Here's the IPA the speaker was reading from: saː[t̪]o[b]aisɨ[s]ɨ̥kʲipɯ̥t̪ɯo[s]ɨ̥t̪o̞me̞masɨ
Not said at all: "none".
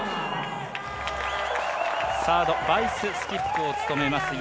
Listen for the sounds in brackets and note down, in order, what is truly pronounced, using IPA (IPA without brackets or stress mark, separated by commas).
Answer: d̪, b, s, t͡s